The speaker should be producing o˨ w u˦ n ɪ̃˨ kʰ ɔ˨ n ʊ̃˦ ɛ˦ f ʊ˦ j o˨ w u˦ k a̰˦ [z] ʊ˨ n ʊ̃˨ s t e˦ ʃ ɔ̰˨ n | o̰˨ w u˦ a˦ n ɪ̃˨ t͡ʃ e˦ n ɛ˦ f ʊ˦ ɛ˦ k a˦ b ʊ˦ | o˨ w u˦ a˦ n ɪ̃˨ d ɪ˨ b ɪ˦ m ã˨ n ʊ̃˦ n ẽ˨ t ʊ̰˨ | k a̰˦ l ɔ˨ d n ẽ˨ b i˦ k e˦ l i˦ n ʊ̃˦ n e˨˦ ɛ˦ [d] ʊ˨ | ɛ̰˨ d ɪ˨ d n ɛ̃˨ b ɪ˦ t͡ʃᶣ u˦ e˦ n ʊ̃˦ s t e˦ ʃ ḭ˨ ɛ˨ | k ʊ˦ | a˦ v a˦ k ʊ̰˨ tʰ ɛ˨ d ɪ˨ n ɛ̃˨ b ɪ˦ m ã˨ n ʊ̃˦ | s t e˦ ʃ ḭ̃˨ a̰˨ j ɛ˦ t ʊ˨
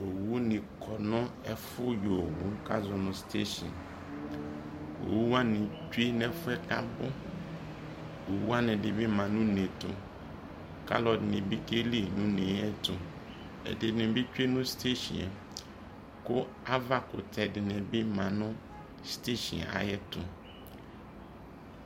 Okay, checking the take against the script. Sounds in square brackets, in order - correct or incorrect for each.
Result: correct, incorrect: t

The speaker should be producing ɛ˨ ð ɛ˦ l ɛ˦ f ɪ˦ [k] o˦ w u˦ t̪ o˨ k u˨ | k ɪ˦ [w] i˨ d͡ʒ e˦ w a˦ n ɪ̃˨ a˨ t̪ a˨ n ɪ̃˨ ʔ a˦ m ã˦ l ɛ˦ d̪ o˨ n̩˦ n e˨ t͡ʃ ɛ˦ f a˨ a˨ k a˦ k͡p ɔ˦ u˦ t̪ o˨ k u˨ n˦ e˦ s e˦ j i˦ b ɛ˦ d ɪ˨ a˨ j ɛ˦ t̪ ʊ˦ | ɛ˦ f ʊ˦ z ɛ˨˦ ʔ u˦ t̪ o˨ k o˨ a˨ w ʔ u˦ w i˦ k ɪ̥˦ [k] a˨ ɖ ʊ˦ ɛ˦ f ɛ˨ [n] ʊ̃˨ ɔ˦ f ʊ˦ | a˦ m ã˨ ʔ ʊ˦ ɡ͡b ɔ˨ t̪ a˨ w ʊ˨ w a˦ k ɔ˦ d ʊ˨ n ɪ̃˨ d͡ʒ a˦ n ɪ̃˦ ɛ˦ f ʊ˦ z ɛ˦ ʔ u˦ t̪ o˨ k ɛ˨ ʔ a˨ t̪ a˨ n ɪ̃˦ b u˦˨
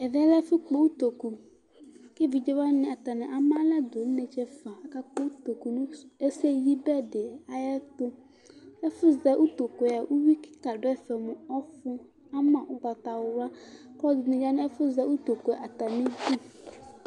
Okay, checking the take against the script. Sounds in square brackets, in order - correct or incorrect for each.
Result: incorrect: k͡p, incorrect: v, correct, incorrect: m

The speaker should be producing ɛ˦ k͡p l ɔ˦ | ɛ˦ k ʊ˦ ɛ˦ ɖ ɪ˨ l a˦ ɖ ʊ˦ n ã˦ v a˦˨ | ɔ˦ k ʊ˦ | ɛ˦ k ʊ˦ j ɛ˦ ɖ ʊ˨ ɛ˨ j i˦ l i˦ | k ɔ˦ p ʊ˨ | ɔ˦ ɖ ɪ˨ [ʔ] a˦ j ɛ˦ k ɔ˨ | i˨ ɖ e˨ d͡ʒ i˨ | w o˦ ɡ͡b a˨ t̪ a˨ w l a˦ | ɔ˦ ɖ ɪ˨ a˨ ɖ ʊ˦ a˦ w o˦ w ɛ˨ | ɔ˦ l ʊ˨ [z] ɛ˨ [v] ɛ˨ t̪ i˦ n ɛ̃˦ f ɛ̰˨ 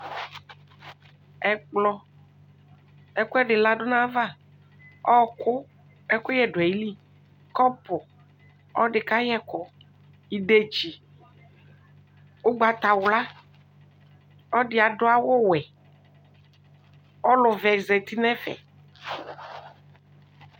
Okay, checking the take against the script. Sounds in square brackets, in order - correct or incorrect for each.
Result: incorrect: k, incorrect: v, incorrect: z

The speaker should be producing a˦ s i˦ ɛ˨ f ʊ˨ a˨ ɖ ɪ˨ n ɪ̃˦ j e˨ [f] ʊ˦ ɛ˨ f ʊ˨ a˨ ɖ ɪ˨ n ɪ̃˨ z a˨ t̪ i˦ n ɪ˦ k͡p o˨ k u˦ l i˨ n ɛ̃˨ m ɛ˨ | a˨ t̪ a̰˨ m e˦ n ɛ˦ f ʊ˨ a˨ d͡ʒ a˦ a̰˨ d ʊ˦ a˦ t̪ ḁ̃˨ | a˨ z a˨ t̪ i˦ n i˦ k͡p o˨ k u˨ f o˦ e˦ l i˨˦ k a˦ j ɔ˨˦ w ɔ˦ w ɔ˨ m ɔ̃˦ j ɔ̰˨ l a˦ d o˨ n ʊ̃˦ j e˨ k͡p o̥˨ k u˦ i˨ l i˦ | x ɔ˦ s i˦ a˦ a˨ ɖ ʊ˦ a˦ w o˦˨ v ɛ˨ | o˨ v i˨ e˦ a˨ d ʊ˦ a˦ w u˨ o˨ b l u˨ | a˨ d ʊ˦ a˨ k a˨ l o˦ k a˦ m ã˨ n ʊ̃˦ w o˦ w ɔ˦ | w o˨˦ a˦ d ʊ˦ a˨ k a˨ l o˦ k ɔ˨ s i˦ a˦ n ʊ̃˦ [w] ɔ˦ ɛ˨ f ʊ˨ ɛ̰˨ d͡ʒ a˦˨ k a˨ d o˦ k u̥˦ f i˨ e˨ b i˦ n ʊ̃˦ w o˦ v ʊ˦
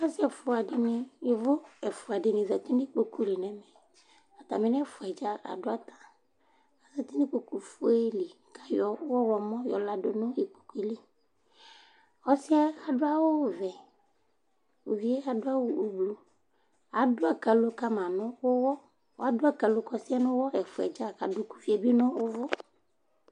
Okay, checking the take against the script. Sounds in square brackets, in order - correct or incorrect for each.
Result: incorrect: v, correct

